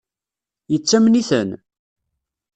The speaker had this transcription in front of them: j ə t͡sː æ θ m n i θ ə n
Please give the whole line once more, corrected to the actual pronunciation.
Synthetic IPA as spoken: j ə t͡sː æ m n i θ ə n